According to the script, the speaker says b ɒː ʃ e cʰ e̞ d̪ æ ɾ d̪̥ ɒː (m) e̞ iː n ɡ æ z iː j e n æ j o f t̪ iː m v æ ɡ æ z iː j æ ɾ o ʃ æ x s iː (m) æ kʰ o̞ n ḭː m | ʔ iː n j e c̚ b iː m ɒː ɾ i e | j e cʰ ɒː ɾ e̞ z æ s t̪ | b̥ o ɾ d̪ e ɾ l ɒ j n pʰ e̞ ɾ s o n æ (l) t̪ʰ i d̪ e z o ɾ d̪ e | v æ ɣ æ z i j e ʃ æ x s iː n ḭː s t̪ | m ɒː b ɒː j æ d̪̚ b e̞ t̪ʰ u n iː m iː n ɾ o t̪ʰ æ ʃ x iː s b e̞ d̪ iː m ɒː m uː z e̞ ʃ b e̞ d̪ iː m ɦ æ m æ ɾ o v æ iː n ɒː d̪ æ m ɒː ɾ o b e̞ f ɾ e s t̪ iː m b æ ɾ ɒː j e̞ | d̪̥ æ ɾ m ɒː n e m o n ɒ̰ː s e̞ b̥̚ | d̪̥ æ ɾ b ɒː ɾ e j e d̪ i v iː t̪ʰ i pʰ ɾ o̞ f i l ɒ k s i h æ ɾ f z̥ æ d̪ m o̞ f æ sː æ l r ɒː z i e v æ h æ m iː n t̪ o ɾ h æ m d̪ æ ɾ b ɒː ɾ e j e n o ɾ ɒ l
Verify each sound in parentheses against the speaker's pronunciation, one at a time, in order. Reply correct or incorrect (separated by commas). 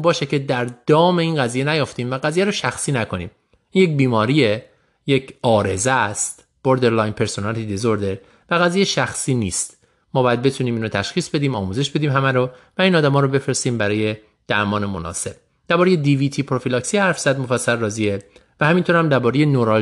correct, incorrect, correct